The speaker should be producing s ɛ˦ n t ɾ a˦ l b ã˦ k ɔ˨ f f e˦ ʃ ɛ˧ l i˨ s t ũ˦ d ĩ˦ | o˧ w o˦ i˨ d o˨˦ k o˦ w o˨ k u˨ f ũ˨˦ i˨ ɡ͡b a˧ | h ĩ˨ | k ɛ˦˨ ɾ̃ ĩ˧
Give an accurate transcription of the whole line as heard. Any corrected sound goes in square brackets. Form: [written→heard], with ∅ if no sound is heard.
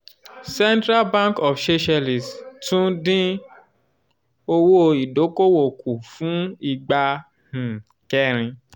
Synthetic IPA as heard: s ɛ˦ n t ɾ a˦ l b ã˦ k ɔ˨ f [f→ʃ] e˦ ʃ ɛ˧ l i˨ s t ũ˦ d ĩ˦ | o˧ w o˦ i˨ d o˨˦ k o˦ w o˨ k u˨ f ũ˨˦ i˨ ɡ͡b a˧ | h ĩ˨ | k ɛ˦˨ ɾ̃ ĩ˧